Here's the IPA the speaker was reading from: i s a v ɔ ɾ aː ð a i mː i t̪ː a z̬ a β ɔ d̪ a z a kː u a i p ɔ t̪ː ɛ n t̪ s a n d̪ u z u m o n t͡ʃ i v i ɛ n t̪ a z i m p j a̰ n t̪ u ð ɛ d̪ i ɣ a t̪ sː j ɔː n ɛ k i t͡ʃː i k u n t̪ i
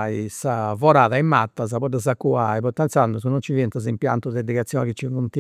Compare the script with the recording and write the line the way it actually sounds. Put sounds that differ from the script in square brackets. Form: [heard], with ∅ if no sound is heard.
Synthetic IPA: i s a v ɔ ɾ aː ð a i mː [a] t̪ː a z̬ a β ɔ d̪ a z a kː u a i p ɔ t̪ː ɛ n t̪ s a n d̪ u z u [n] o n t͡ʃ i v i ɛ n t̪ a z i m p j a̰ n t̪ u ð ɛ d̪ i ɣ a t̪ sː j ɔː n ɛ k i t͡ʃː i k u n t̪ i